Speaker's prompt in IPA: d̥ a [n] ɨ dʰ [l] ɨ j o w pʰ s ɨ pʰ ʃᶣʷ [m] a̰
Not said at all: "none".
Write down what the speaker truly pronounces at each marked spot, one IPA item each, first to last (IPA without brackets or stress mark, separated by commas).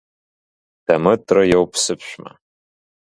m, r, m